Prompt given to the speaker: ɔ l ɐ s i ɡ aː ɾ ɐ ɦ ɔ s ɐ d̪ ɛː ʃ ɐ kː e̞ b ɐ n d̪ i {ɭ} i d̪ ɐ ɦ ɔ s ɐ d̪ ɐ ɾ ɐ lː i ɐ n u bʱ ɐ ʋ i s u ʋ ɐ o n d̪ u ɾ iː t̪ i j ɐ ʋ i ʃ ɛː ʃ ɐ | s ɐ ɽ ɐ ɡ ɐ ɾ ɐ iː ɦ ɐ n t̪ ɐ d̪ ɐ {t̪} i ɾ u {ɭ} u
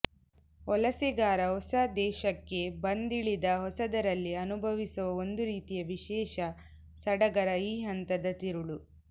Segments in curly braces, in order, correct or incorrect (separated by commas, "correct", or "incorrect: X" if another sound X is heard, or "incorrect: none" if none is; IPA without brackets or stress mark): correct, correct, correct